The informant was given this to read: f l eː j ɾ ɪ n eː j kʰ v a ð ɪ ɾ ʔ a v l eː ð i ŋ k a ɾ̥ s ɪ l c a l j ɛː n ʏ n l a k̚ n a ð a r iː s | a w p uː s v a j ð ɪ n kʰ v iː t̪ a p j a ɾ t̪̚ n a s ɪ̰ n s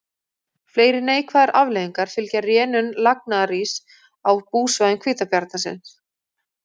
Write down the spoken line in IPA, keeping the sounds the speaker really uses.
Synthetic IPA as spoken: f l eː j ɾ ɪ n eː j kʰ v a ð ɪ ɾ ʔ a v l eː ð i ŋ k a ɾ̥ f ɪ l c a r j ɛː n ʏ n l a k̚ n a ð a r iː s | a w p uː s v a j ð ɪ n kʰ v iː t̪ a p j a ɾ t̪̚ n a s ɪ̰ n s